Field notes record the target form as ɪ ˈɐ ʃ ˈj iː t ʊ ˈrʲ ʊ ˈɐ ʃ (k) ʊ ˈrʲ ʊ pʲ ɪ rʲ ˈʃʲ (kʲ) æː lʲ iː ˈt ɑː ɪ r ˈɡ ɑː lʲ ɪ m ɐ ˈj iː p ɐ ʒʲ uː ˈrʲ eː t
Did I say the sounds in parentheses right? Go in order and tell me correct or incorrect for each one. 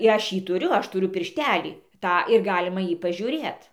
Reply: incorrect: t, incorrect: tʲ

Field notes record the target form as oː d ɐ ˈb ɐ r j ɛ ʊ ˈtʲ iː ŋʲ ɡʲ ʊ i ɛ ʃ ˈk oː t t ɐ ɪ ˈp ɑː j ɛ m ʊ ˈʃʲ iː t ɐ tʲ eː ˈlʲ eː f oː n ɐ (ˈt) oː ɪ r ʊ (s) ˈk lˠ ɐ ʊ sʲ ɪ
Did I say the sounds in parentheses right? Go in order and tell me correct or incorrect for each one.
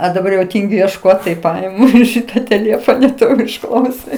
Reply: correct, incorrect: ʃ

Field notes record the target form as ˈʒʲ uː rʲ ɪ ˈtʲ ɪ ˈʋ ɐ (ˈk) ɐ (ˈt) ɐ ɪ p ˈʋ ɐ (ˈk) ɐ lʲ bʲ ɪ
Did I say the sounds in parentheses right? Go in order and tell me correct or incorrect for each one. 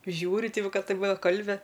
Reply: correct, correct, correct

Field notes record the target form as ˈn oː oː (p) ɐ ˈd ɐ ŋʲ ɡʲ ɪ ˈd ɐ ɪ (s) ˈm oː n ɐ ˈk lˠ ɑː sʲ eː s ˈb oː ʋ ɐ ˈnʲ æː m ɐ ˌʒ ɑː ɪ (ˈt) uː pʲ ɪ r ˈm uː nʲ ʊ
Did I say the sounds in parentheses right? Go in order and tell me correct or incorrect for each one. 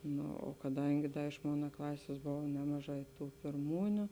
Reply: incorrect: k, incorrect: ʃ, correct

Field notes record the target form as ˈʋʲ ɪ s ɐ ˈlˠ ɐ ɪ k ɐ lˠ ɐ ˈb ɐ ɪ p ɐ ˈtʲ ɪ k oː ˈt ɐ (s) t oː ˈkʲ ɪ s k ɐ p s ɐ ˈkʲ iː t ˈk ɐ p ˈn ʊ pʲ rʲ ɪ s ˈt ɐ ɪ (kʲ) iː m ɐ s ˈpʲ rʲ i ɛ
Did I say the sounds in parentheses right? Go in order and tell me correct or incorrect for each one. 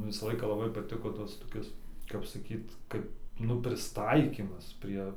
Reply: correct, correct

